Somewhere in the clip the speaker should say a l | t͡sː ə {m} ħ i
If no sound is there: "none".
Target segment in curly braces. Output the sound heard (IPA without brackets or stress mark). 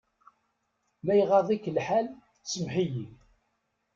m